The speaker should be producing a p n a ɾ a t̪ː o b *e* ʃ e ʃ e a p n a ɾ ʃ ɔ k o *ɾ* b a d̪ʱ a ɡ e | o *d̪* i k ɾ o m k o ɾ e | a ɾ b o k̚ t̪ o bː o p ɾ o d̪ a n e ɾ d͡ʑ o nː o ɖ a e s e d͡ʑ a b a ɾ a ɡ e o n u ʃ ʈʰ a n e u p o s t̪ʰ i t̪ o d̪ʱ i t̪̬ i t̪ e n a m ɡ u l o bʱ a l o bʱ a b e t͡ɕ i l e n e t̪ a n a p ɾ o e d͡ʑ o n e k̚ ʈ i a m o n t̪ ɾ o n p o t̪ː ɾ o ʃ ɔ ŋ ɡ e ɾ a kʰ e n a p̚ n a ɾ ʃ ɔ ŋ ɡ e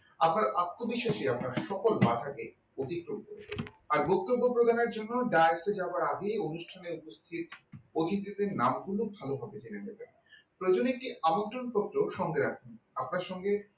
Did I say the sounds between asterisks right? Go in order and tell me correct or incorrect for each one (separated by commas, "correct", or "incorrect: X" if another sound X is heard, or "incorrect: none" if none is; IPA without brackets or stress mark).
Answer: incorrect: i, incorrect: l, incorrect: t̪